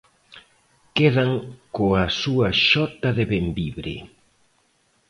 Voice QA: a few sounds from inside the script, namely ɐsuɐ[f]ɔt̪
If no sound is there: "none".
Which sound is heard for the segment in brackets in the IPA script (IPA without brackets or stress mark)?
ʃ